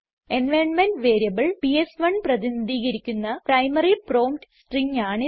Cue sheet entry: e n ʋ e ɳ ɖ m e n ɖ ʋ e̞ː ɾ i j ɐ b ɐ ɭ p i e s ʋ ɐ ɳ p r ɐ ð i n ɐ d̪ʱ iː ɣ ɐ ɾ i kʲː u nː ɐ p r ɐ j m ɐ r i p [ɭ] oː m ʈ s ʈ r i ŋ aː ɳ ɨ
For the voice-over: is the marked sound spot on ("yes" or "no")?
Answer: no